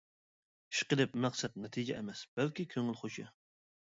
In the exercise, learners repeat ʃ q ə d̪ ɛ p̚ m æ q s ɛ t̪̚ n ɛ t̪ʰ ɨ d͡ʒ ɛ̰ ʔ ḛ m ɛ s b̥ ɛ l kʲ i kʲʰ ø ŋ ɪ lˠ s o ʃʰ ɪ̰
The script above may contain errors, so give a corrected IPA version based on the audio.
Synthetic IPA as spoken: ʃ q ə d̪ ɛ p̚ m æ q s ɛ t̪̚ n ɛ t̪ʰ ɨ d͡ʒ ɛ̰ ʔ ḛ m ɛ s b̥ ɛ l kʲ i kʲʰ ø ŋ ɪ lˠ χ o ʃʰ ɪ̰